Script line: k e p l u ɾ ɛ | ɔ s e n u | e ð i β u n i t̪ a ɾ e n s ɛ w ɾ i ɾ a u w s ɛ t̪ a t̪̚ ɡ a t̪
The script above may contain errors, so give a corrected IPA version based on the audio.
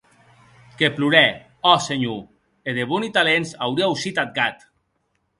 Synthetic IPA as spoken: k e p l u ɾ ɛ | ɔ s e ɲ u | e ð e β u n i t̪ a l e n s a w ɾ i a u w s i t̪ a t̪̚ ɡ a t̪